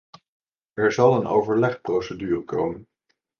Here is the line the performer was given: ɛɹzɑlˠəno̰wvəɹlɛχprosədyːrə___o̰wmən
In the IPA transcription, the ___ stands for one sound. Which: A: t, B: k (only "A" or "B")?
B